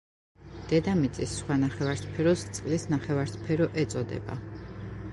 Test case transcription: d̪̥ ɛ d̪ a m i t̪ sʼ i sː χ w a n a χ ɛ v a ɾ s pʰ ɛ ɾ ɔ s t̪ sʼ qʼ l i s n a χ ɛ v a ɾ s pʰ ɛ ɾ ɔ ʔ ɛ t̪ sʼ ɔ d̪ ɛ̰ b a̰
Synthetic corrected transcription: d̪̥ ɛ d̪ a m i t̪ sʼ i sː χ w a n a χ ɛ v a ɾ s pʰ ɛ ɾ ɔ s t̪ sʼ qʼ l i s n a χ ɛ v a ɾ s pʰ ɛ ɾ ɔ ʔ ɛ t̪ sʼ ɔ d̪ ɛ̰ b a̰